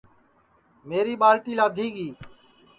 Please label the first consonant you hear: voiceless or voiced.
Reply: voiced